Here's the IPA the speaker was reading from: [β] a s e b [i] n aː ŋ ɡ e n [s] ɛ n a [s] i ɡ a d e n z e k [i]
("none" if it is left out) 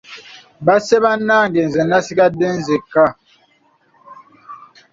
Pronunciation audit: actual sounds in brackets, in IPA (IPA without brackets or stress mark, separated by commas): b, a, z, s, a